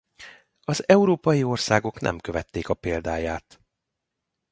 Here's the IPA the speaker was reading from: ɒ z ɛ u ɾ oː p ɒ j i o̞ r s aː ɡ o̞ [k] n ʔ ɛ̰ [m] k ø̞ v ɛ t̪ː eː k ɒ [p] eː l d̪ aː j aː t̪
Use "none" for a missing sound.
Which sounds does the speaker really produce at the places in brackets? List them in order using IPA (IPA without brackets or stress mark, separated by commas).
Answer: k, m, p